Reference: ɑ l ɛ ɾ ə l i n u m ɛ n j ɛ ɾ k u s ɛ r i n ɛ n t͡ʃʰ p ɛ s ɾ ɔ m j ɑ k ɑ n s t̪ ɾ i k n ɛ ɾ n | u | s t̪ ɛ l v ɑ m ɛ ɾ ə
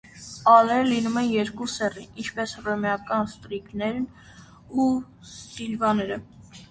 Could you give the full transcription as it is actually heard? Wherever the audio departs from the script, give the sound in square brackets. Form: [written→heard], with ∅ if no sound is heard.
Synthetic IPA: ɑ l ɛ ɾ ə l i n u m ɛ n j ɛ ɾ k u s ɛ r i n [ɛ→i] n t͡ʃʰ p ɛ s [ɾ→r] ɔ m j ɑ k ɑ n s t̪ ɾ i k n ɛ ɾ n | u | s t̪ [ɛ→i] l v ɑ [m→n] ɛ ɾ ə